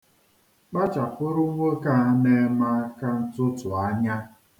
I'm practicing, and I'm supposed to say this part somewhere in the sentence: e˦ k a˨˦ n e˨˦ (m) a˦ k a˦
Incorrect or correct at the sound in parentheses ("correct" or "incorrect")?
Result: correct